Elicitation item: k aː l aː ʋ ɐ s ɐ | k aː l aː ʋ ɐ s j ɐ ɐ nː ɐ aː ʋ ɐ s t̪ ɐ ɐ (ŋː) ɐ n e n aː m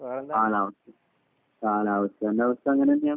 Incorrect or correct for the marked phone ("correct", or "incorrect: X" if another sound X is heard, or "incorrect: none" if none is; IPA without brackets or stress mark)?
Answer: correct